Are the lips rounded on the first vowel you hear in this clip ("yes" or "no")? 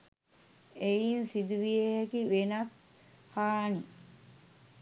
no